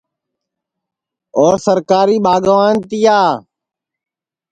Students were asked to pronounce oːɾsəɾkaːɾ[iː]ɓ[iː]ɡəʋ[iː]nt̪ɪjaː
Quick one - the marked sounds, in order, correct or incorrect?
correct, incorrect: aː, incorrect: aː

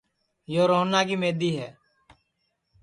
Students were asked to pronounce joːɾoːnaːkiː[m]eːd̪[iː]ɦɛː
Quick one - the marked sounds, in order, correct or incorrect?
correct, correct

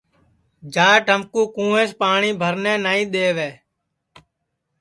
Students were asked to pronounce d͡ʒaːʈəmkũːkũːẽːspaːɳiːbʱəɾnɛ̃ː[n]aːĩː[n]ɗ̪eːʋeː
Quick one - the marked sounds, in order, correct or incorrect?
correct, incorrect: none

